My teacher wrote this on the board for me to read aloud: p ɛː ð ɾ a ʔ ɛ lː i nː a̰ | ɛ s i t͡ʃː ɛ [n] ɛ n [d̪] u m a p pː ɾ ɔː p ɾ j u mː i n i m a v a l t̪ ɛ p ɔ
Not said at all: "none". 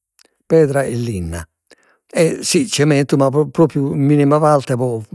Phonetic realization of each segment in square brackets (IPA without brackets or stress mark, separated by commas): m, t̪